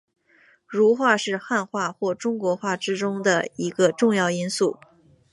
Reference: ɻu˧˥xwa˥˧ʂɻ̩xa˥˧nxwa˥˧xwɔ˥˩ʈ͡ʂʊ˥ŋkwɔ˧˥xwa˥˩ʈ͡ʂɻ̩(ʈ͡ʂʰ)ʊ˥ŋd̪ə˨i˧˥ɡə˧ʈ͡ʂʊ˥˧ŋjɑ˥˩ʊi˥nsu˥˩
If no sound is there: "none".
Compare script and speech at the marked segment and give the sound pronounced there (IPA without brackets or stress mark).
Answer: ʈ͡ʂ